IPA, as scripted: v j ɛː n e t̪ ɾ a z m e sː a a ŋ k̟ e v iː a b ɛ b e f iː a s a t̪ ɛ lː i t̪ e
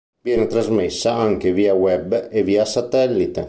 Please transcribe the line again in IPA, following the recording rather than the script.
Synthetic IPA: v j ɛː n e t̪ ɾ a z m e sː a a ŋ k̟ e v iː a w ɛ b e v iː a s a t̪ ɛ lː i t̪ e